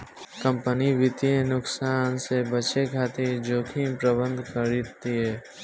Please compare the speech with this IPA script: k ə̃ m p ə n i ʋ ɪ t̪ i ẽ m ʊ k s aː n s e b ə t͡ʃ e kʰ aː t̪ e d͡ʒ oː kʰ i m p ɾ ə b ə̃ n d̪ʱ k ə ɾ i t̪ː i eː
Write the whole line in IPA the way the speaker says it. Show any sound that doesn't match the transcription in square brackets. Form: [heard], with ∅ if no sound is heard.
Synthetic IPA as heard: k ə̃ m p ə n i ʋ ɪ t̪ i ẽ [n] ʊ k s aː n s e b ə t͡ʃ e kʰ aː t̪ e d͡ʒ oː kʰ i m p ɾ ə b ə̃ n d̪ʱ k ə ɾ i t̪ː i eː